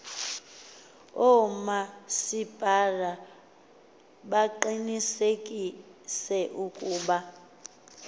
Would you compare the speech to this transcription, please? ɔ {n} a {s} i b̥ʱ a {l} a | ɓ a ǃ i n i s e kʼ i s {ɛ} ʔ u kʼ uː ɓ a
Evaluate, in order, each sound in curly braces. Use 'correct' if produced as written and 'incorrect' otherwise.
incorrect, correct, incorrect, correct

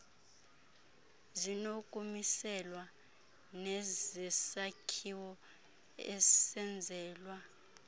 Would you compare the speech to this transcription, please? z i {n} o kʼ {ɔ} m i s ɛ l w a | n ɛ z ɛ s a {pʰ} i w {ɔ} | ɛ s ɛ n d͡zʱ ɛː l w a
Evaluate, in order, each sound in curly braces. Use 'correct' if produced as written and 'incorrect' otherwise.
correct, incorrect, incorrect, correct

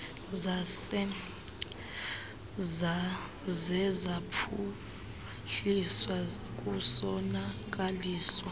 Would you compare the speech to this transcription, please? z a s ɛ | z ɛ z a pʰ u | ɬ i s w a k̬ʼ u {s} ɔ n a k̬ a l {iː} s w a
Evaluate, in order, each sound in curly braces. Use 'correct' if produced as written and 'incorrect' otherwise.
correct, correct

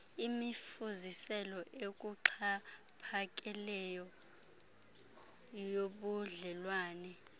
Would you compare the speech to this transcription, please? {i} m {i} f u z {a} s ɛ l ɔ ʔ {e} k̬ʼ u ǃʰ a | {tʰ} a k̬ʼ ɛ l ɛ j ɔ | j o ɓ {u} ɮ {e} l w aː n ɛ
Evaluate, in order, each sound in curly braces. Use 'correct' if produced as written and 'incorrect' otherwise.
correct, correct, incorrect, correct, incorrect, correct, incorrect

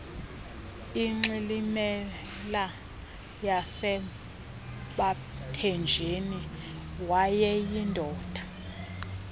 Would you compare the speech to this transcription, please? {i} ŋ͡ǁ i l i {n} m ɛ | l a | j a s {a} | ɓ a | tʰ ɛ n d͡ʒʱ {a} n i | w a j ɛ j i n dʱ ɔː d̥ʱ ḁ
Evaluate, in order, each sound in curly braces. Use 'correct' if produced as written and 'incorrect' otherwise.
correct, incorrect, incorrect, incorrect

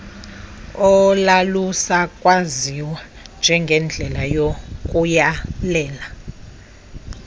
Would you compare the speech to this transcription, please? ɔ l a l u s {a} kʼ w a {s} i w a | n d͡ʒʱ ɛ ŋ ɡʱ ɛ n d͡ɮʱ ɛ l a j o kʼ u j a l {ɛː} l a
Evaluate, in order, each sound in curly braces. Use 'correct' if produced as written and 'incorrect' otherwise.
correct, incorrect, correct

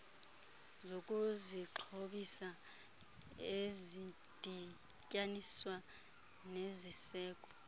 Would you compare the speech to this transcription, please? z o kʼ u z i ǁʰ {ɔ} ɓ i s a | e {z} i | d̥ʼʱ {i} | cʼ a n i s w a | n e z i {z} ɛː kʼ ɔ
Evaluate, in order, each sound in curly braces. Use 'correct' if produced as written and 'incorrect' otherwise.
incorrect, correct, correct, incorrect

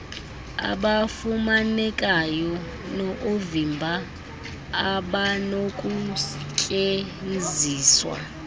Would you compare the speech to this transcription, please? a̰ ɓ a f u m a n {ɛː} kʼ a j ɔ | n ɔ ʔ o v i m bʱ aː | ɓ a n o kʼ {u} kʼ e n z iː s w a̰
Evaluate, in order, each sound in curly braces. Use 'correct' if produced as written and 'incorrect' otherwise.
incorrect, correct

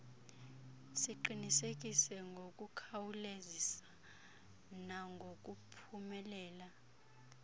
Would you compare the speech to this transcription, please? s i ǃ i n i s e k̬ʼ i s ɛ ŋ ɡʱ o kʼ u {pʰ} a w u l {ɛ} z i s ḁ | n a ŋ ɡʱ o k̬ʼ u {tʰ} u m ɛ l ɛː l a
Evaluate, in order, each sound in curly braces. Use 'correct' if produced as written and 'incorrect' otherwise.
incorrect, incorrect, incorrect

